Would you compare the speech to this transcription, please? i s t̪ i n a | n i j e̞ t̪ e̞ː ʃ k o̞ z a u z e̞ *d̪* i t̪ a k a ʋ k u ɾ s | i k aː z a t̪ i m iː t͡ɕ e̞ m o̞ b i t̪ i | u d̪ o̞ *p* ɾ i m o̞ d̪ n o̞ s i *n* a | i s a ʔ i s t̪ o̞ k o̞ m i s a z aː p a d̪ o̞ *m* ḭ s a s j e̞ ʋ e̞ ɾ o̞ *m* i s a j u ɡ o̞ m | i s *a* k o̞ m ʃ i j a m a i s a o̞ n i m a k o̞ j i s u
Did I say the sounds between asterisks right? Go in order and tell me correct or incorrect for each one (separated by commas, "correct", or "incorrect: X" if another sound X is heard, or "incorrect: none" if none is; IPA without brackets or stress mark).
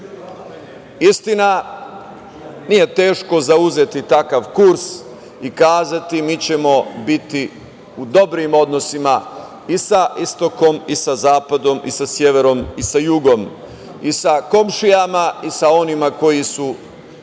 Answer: incorrect: t̪, incorrect: b, incorrect: m, correct, correct, correct